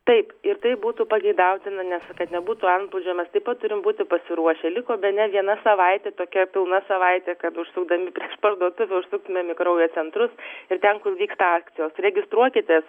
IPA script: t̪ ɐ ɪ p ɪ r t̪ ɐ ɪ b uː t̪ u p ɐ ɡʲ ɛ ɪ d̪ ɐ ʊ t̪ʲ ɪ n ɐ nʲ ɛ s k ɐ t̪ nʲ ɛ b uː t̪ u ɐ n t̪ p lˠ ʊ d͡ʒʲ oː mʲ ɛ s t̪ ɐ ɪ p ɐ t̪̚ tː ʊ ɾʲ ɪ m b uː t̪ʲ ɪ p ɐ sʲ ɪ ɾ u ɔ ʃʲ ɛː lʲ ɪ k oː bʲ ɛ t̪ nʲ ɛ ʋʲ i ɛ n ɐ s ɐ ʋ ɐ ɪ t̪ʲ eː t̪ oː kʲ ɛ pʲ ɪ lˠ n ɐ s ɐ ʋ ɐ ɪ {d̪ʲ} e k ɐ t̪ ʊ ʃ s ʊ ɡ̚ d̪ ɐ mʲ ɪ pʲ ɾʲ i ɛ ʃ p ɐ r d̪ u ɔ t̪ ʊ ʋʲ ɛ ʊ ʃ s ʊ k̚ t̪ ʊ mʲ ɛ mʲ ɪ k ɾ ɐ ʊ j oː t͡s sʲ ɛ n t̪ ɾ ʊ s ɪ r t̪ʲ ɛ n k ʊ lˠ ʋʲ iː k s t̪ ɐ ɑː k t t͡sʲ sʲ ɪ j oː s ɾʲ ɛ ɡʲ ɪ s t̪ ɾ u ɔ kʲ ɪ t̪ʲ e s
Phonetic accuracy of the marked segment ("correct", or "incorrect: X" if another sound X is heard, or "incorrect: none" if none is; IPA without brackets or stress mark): incorrect: t̪ʲ